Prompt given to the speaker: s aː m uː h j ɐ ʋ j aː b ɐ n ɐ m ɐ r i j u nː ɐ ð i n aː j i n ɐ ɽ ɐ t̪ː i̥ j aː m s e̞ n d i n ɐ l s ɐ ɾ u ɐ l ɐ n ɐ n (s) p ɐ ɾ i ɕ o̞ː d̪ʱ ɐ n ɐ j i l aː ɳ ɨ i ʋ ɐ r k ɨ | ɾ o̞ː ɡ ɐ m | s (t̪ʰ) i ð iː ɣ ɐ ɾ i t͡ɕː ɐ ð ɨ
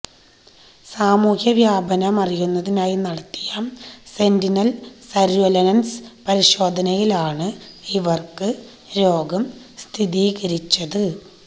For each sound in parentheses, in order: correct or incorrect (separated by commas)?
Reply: correct, correct